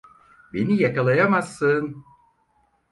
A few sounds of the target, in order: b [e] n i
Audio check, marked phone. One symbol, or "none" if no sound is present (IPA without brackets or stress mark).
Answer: e